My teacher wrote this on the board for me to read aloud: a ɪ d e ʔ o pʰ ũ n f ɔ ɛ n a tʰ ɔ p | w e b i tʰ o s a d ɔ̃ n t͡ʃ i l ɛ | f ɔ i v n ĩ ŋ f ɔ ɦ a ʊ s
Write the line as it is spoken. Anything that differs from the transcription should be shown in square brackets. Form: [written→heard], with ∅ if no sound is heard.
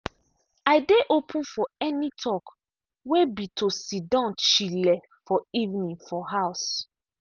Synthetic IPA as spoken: a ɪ d e ʔ o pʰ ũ n f ɔ ɛ n [a→i] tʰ ɔ [p→k] | w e b i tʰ o s [a→i] d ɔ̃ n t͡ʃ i l ɛ | f ɔ i v n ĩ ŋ f ɔ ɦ a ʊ s